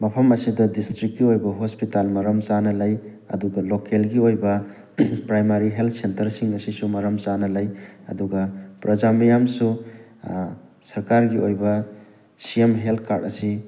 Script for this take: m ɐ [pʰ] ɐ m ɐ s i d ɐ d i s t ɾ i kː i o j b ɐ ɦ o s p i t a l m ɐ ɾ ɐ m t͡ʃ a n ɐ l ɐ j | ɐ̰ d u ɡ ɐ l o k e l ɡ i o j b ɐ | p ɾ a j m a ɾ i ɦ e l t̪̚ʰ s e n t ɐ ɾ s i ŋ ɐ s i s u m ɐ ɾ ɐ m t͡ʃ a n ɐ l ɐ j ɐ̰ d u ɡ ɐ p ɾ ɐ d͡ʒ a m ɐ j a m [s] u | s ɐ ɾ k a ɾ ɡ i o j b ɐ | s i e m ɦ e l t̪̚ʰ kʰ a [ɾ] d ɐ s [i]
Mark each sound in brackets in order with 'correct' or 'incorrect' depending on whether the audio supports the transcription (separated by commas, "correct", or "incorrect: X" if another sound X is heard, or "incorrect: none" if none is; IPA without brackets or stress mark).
correct, correct, correct, correct